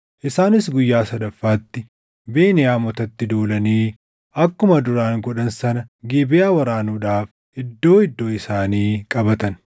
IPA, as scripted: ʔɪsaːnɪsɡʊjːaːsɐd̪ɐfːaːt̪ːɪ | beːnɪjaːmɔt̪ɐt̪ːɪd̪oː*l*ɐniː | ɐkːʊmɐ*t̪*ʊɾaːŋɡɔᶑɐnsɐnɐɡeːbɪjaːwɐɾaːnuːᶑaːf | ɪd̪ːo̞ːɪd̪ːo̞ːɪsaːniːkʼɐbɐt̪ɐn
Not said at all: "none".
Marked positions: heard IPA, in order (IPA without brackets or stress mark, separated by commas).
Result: l, d̪